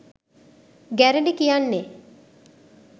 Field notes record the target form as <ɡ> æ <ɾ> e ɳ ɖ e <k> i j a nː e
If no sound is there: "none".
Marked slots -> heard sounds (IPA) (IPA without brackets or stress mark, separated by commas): ɡ, ɾ, k